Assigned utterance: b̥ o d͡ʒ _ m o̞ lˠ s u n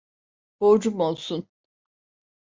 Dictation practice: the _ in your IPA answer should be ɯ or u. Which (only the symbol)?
u